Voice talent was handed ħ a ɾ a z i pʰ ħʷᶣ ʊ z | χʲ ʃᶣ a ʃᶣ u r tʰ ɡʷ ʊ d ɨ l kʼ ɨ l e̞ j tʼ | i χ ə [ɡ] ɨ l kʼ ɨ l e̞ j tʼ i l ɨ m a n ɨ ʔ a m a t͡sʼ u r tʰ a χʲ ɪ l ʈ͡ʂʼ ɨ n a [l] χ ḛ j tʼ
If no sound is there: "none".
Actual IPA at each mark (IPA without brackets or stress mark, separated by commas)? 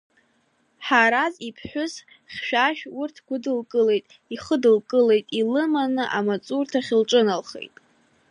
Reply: d, l